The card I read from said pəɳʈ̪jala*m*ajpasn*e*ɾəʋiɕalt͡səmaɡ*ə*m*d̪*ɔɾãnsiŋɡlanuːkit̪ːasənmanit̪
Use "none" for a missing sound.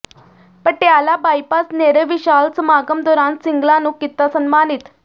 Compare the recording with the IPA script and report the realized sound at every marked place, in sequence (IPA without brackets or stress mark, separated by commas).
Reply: b, e, ə, d̪